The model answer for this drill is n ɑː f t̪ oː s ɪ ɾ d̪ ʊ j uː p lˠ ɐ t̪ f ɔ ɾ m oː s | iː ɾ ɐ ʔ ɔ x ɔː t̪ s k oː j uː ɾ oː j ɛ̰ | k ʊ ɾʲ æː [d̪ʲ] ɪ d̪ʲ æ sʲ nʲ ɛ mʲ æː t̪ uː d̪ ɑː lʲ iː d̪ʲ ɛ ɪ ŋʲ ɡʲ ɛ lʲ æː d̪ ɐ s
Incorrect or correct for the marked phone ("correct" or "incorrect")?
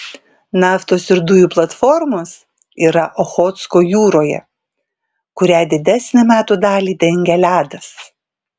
correct